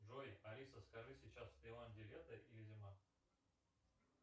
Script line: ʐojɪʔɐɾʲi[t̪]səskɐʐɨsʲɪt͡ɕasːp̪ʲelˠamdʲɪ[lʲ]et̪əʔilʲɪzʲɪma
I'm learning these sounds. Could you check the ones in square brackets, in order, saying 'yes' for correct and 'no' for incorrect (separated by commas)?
no, yes